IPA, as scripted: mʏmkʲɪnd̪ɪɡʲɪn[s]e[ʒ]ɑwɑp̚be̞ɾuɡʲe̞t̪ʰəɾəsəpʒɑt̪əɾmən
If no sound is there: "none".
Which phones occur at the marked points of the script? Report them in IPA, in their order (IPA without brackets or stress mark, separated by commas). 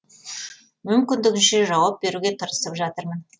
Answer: ʃ, ʒ